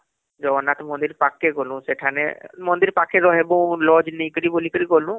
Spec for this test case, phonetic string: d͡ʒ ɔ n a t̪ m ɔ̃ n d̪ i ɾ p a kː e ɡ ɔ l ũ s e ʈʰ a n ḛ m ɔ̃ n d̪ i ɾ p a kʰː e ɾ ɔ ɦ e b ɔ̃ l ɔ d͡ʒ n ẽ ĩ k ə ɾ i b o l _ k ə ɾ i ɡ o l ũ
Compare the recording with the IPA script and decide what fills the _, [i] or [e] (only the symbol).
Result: i